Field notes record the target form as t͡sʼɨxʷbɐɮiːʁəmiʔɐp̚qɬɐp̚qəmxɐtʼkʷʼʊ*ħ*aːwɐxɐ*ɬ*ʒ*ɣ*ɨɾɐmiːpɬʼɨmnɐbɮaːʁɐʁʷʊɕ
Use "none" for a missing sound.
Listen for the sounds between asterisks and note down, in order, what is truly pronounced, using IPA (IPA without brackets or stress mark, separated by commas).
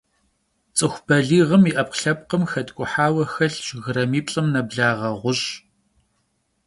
ħ, ɬ, ɣ